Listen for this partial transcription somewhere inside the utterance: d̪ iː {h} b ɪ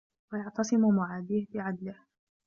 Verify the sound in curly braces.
correct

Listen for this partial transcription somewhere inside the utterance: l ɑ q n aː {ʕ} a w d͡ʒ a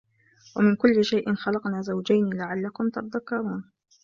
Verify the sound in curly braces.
incorrect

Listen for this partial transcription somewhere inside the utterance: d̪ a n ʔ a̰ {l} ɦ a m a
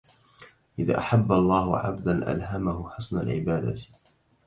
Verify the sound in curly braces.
correct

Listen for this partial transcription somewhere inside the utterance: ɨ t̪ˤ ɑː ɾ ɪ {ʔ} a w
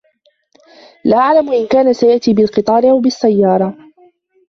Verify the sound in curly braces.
correct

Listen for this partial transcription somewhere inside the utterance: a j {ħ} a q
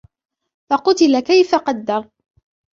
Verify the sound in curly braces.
incorrect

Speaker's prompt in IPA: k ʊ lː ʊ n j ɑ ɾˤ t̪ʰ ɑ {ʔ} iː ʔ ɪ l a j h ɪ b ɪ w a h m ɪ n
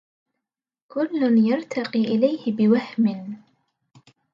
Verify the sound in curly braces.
incorrect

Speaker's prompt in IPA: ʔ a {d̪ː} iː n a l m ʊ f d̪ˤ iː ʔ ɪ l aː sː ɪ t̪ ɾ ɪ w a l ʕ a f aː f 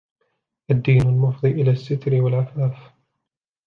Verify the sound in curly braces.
correct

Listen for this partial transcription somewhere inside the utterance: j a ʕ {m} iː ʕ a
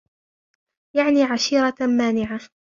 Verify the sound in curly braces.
incorrect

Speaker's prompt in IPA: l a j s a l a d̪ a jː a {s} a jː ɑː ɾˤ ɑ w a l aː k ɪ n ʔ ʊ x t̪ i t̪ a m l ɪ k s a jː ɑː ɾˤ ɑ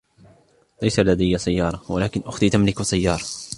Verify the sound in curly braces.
correct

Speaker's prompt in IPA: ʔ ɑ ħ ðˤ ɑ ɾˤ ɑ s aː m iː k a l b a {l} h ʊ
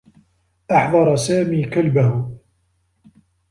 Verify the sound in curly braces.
incorrect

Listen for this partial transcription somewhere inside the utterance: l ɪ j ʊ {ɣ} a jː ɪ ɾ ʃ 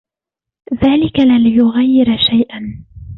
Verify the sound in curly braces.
correct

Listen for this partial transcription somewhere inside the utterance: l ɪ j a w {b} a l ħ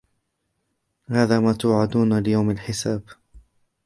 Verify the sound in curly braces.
incorrect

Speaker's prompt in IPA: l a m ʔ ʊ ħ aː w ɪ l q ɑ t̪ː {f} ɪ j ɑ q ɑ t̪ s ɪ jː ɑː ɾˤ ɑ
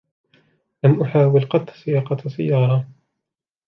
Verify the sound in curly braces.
incorrect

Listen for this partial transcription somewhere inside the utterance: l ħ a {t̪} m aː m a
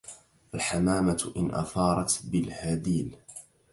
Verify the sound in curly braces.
incorrect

